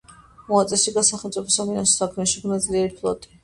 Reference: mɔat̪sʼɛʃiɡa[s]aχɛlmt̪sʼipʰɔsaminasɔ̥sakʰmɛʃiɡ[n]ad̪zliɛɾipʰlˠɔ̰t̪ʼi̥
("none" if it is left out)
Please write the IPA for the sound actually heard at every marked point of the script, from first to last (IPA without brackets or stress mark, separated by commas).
s, n